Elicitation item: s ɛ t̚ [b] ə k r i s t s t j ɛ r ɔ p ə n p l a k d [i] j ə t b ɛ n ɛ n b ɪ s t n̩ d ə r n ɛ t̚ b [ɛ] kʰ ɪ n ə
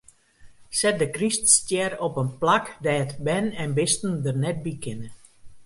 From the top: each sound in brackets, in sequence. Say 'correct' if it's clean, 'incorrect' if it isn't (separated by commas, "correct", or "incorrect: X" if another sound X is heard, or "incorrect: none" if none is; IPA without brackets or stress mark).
incorrect: d, incorrect: ɛ, incorrect: i